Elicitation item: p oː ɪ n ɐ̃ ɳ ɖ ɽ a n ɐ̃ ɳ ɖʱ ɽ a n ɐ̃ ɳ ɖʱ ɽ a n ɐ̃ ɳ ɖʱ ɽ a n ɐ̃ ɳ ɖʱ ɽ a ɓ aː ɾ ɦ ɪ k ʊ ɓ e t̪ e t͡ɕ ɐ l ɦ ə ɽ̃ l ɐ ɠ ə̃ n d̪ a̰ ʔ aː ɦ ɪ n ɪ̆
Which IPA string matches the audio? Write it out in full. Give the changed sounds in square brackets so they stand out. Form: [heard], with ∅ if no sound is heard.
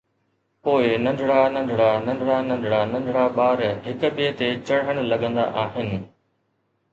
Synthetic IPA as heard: p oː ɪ n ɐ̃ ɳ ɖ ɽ a n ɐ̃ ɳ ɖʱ ɽ a n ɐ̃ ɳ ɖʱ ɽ a n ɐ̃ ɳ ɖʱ ɽ a n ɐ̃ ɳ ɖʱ ɽ a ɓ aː ɾ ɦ ɪ k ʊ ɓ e t̪ e t͡ɕ ɐ [ɽ] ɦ ə ɽ̃ l ɐ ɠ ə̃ n d̪ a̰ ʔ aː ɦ ɪ n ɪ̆